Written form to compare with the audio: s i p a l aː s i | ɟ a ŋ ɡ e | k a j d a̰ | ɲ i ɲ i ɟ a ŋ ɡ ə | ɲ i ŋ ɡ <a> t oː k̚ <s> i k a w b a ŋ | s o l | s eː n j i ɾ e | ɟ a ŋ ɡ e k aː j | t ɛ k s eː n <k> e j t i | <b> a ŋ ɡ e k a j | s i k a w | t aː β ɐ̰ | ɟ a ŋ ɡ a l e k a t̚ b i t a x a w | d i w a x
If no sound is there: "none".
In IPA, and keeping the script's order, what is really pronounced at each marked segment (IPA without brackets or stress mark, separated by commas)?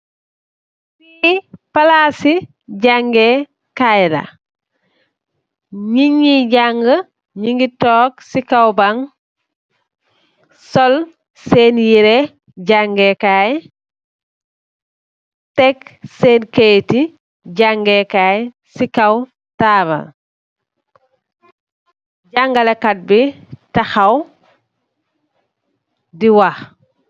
i, s, k, ɟ